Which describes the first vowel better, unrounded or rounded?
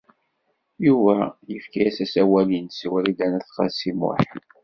rounded